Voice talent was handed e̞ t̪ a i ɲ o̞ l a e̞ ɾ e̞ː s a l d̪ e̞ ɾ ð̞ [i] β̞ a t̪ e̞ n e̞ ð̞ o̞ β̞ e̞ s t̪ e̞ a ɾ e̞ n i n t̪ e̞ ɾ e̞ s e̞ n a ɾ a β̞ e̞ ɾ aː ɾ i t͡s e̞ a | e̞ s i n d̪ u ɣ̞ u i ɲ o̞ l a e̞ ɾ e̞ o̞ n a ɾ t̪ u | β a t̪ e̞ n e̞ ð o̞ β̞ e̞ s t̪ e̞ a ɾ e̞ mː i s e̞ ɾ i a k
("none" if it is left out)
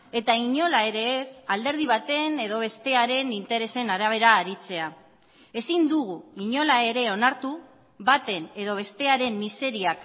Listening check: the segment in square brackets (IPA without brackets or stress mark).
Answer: i